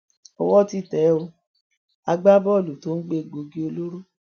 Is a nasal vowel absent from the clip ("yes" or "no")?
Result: yes